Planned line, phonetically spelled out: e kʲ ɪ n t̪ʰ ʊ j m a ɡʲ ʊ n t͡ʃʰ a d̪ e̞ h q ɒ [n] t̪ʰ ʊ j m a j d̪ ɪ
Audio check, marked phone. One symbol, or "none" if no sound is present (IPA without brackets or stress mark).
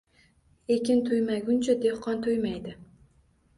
n